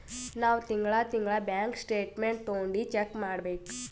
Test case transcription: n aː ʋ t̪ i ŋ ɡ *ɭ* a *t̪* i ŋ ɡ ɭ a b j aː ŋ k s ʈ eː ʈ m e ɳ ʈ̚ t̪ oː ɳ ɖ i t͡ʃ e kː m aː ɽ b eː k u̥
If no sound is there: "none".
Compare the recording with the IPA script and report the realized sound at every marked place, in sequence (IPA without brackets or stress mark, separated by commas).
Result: ɭ, t̪